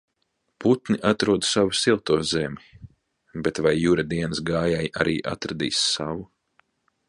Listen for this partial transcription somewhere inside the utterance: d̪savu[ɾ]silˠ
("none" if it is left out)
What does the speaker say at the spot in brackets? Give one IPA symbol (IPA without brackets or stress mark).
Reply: none